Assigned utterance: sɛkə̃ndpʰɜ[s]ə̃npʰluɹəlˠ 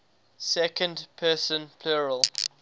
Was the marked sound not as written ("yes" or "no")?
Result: no